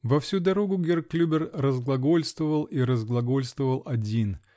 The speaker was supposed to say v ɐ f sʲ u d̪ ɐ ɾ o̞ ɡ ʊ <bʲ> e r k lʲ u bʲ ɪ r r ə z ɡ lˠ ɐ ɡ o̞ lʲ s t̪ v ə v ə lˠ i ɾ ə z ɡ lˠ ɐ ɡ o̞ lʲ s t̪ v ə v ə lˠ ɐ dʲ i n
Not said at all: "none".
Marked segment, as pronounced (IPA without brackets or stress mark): ɡʲ